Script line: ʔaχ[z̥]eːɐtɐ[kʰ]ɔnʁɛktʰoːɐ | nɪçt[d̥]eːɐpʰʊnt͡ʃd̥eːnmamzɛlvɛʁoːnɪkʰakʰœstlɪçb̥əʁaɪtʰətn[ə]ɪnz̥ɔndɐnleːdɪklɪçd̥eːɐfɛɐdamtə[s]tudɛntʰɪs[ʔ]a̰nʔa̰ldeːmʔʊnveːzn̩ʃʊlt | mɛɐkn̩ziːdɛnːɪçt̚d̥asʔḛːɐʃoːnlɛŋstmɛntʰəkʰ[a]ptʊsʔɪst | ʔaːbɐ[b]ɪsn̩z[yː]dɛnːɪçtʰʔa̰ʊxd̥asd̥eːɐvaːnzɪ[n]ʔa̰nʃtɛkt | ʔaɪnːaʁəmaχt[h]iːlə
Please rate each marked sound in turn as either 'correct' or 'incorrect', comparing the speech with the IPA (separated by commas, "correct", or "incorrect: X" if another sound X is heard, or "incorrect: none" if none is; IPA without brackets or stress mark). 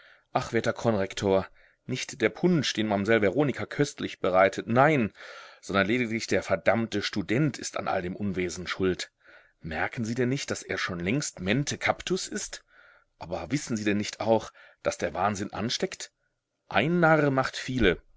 incorrect: v̥, correct, correct, incorrect: a, incorrect: ʃ, incorrect: t, correct, incorrect: v, incorrect: iː, correct, incorrect: f